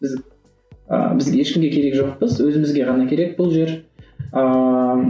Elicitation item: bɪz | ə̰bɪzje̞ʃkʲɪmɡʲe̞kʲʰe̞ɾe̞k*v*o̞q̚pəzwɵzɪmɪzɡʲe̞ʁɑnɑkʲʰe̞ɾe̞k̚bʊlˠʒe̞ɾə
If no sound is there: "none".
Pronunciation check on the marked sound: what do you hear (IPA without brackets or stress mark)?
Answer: ʒ